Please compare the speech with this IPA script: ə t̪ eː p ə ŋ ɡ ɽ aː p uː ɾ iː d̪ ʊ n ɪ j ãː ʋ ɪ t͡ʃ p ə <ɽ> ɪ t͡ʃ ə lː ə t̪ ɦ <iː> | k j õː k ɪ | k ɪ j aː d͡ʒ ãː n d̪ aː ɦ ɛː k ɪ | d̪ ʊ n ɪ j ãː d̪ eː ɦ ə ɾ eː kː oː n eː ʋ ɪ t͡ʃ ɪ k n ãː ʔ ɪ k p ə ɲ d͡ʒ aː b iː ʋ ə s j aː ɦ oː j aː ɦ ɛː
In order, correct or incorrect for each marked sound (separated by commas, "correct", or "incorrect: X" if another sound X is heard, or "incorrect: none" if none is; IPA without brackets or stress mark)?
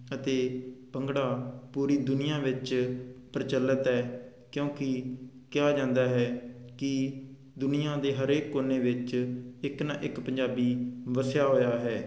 incorrect: ɾ, incorrect: ɛː